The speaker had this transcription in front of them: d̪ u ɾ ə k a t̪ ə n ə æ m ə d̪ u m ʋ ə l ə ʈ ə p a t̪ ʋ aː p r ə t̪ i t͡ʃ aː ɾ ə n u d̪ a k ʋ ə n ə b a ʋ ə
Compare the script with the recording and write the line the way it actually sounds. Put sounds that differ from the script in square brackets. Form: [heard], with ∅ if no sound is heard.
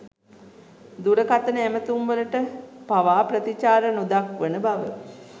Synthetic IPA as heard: d̪ u ɾ ə k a t̪ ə n ə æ m ə [t̪] u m ʋ ə l ə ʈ ə p a [∅] ʋ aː p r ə t̪ i t͡ʃ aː ɾ ə n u d̪ a k ʋ ə n ə b a ʋ ə